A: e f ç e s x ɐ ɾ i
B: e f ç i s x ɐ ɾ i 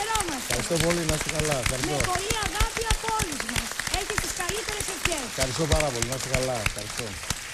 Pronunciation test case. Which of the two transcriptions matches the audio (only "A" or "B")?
A